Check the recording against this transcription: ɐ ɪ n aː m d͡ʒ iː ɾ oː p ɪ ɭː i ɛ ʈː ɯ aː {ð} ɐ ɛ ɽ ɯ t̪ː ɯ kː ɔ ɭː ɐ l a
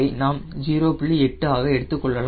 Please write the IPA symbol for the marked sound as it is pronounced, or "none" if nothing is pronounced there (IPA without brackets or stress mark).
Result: ɣ